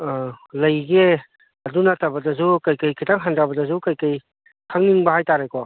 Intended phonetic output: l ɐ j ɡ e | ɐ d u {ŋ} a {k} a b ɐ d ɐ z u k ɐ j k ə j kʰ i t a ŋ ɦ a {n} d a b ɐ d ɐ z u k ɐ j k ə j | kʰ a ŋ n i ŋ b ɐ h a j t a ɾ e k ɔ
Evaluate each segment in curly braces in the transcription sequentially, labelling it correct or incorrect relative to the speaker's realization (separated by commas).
incorrect, incorrect, correct